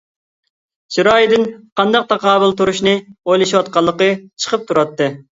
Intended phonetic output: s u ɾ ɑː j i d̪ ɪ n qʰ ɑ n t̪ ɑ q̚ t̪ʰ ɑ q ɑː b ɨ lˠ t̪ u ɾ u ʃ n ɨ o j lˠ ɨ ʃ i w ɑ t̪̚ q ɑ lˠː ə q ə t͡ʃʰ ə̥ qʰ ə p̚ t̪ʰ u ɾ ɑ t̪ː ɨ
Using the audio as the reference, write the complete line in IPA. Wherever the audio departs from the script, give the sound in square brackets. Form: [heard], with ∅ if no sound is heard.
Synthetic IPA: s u ɾ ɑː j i d̪ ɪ n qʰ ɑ n [d̪] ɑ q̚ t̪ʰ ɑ q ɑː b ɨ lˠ t̪ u ɾ u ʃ n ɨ o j lˠ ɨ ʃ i w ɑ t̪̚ q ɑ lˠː ə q ə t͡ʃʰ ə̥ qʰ ə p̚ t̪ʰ u ɾ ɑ t̪ː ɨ